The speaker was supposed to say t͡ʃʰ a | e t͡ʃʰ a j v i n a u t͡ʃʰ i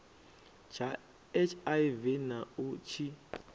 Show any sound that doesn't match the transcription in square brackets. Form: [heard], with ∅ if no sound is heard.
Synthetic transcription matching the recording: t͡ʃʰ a | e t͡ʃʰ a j v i n a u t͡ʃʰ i

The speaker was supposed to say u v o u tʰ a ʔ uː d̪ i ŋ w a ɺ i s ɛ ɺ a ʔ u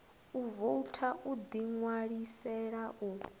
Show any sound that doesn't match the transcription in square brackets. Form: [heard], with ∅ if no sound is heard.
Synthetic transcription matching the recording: u v o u tʰ a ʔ [u] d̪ i ŋ w a ɺ i s ɛ ɺ a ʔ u

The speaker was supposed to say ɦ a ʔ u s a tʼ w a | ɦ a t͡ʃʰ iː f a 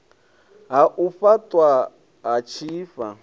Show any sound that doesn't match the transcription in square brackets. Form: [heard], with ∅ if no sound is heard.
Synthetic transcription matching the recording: ɦ a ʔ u [f] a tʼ w a | ɦ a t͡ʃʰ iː f a

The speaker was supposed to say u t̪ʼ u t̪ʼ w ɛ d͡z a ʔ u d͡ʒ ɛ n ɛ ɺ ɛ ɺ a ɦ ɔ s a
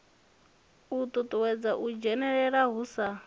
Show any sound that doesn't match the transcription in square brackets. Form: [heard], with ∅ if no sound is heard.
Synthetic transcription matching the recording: u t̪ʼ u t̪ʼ w ɛ d͡z a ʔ u d͡ʒ ɛ n ɛ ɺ ɛ ɺ a ɦ [u] s a

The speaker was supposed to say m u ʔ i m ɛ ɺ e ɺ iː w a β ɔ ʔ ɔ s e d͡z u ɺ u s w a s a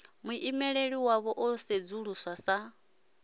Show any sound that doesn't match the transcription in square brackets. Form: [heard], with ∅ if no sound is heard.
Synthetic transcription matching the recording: m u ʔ i m ɛ ɺ e ɺ [i] w a β ɔ ʔ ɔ s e d͡z u ɺ u s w a s a

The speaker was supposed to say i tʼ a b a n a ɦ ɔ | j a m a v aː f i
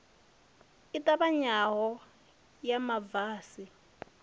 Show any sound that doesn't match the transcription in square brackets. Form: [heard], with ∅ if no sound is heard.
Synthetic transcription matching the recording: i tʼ a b a [ɲ] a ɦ ɔ | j a m a v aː [s] i

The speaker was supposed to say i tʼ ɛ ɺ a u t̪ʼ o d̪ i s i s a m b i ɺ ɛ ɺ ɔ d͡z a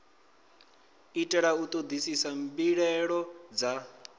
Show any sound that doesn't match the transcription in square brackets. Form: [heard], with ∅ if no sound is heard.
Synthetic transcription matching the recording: i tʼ ɛ ɺ a u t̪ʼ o d̪ i s i s a m b i ɺ ɛ ɺ ɔ d͡z a

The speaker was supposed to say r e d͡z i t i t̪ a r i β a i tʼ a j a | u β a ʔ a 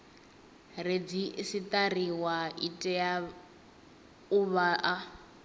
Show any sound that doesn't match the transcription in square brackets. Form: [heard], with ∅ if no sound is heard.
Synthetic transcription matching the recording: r e d͡z i [s] i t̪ a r i [w] a i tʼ [ɛ] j a | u β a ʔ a

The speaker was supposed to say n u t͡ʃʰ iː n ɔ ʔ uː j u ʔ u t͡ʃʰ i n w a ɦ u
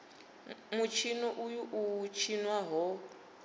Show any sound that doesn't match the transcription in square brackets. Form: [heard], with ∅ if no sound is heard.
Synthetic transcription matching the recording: [m] u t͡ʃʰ [i] n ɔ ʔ [u] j u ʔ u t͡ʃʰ i n w a ɦ [ɔ]

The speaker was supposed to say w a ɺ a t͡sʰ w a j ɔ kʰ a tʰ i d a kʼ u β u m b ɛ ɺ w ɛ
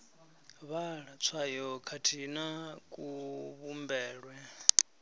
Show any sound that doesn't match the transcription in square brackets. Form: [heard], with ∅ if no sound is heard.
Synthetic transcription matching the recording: [β] a ɺ a t͡sʰ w a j ɔ kʰ a tʰ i [n] a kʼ u β u m b [ɛː] ɺ w ɛ

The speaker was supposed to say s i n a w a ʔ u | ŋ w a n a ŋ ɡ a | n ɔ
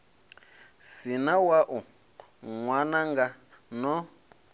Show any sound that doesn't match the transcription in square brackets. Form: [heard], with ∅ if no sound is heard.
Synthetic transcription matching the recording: s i n a w a ʔ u | ŋ w a n a ŋ ɡ a | n ɔ

